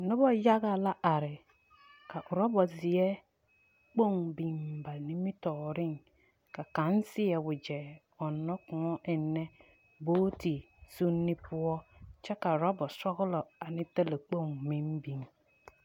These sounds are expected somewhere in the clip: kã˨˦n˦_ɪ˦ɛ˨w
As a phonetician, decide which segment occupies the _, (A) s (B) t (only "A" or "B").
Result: A